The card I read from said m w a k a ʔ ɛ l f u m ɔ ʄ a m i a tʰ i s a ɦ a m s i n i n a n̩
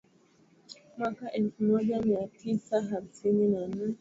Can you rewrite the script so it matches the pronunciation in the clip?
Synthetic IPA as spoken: m w a k a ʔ ɛ l f u m ɔ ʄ a m i a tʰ i s a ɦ a m s i n i n a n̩